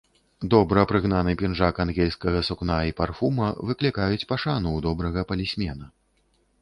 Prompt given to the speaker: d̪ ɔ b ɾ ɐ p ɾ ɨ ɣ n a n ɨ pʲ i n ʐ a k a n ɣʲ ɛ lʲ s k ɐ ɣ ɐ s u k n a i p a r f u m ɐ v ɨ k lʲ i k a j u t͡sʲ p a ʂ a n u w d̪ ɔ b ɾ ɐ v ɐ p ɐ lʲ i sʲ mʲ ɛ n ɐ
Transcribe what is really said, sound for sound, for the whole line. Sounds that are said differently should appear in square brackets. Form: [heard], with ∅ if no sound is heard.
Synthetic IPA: d̪ ɔ b ɾ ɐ p ɾ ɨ ɣ n a n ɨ pʲ i n ʐ a k a n ɣʲ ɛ lʲ s k ɐ ɣ ɐ s u k n a i p a r f u m ɐ v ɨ k lʲ i k a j u t͡sʲ p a ʂ a n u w d̪ ɔ b ɾ ɐ [ɣ] ɐ p ɐ lʲ i sʲ mʲ ɛ n ɐ